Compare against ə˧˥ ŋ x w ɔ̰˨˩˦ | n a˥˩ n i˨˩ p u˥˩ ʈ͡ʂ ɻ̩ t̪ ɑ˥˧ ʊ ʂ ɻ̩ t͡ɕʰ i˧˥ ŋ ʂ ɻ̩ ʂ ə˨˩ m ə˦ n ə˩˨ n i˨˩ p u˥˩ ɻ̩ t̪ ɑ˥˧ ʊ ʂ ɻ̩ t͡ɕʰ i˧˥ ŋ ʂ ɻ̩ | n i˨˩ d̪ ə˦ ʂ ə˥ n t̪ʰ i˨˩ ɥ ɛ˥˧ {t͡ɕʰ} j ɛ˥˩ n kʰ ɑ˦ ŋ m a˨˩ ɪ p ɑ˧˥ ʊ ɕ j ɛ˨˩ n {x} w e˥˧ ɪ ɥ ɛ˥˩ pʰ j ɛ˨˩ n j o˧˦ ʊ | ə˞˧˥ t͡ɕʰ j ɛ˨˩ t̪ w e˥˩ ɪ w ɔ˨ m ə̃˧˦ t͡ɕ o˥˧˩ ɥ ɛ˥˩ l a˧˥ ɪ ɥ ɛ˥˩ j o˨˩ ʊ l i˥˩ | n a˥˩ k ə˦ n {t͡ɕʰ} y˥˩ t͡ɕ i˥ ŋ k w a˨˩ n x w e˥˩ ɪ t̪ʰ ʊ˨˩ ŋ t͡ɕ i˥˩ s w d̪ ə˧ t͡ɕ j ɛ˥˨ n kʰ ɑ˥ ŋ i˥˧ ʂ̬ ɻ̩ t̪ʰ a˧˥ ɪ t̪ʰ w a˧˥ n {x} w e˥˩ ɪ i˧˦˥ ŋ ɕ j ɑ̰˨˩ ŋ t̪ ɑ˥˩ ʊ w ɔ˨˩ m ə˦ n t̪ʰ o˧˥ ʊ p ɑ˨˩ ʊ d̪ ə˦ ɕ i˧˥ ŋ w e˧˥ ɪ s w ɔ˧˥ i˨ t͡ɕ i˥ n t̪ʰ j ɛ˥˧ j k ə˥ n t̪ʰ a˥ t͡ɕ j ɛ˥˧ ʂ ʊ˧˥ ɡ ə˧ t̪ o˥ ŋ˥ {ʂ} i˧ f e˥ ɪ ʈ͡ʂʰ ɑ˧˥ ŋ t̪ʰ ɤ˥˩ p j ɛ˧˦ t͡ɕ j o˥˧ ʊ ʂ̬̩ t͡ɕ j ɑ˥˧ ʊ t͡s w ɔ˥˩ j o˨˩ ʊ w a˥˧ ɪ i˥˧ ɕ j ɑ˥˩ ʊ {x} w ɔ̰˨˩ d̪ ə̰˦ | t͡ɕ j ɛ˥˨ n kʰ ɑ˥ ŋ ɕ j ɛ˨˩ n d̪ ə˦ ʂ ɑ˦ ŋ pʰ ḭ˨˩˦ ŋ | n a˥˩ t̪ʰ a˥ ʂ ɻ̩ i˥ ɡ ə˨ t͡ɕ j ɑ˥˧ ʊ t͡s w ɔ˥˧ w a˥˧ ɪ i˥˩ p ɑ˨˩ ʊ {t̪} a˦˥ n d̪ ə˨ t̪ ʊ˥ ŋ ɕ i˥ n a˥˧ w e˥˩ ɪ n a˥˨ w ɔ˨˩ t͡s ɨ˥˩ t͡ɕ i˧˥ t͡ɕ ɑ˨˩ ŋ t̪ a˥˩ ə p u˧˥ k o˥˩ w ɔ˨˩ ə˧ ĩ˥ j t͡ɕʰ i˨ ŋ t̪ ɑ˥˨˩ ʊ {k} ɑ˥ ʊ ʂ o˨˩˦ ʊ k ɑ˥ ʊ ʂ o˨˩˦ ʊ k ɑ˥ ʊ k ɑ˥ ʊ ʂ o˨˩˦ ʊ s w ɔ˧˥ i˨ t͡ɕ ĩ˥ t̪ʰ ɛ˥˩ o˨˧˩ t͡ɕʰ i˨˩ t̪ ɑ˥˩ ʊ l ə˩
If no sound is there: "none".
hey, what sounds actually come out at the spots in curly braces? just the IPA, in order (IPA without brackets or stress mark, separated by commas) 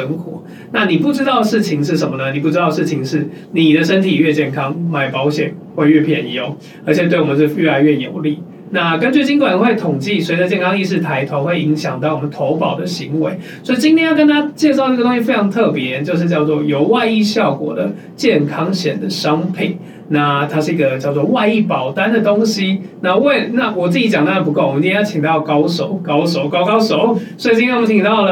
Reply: t͡ɕ, x, t͡ɕ, x, ɕ, k, t̪, k